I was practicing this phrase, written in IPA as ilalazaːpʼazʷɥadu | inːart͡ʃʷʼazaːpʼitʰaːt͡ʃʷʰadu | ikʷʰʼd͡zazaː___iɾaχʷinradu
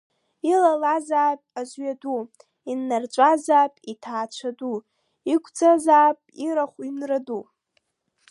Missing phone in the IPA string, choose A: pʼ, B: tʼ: A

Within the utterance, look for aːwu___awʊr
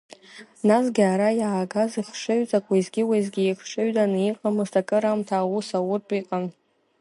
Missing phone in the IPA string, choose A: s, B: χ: A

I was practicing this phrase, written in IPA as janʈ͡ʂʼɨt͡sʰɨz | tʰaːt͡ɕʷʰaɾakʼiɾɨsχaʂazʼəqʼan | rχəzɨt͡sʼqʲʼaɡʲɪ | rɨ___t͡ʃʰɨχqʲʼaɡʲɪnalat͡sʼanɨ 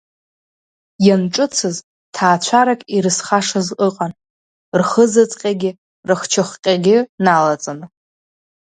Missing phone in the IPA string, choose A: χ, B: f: A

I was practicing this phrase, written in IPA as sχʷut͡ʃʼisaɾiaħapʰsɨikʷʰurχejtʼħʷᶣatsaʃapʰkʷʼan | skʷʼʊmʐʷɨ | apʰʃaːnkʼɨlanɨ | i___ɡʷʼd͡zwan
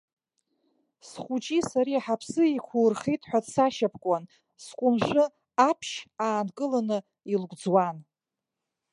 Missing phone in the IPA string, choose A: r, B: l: B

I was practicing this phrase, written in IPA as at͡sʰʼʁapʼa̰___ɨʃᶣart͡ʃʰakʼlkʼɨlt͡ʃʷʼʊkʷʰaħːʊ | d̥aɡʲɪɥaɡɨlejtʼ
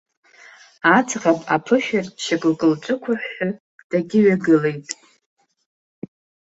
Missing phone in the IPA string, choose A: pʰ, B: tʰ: A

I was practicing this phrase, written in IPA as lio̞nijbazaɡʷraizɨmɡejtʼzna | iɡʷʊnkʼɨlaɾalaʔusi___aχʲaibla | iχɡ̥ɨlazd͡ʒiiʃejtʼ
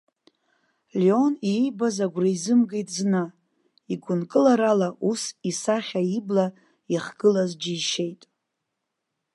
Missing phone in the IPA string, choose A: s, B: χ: A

